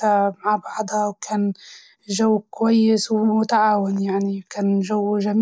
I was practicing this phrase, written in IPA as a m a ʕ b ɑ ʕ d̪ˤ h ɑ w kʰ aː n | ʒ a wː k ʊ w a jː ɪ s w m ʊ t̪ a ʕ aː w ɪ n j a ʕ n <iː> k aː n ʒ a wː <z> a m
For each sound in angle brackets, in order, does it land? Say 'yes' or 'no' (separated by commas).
no, no